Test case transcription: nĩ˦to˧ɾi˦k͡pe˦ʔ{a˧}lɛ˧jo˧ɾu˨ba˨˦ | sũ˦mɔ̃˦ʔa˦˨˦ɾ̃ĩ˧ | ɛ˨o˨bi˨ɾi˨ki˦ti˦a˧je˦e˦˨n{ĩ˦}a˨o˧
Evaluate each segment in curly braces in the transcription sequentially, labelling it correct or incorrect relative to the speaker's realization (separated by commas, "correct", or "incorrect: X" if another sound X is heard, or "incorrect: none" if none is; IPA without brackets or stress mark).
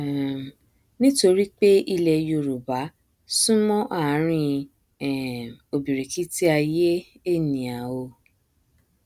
incorrect: i˧, incorrect: ĩ˨